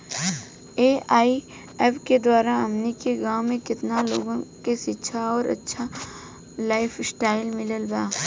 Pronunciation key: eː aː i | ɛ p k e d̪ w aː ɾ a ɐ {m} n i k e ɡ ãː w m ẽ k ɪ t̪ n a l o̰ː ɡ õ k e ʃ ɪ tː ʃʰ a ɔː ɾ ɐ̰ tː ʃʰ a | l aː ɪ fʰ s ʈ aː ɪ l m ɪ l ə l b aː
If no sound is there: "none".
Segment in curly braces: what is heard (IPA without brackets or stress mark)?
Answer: m